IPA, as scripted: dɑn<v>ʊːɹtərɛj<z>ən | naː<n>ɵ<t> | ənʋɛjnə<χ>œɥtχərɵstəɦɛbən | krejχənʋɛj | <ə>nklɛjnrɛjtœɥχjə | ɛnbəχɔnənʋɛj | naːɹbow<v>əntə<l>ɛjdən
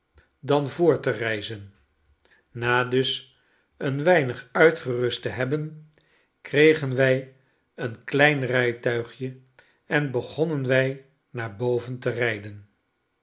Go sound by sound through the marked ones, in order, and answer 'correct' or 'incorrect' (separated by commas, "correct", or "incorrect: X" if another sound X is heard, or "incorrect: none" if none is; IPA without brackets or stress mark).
correct, correct, incorrect: d, incorrect: s, correct, correct, correct, incorrect: r